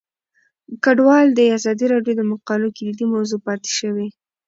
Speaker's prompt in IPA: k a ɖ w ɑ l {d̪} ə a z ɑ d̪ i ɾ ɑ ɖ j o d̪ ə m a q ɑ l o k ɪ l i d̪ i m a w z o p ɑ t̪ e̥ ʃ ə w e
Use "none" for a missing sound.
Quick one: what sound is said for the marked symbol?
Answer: d̪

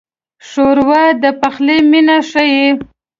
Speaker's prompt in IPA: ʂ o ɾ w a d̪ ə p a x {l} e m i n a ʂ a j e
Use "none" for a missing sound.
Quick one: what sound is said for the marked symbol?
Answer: l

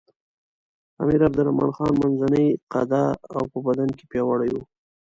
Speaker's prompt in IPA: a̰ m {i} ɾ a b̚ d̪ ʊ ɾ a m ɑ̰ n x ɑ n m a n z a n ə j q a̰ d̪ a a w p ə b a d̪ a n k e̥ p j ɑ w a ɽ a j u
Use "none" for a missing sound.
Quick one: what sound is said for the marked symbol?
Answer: i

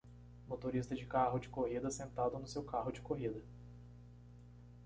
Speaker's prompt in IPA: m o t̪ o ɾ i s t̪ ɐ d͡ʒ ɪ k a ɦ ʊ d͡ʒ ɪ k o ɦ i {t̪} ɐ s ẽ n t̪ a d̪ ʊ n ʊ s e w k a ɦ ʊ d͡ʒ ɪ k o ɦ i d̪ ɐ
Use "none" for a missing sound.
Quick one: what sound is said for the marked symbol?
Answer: d̪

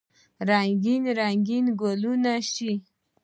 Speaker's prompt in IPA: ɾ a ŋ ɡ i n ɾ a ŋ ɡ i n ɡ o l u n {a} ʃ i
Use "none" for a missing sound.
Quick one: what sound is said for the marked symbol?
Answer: a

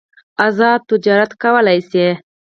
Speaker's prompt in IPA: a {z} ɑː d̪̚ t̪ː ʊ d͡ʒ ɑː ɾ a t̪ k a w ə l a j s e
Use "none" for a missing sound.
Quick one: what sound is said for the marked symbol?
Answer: z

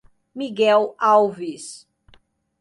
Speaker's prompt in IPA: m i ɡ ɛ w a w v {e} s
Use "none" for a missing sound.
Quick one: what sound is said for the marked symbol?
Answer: i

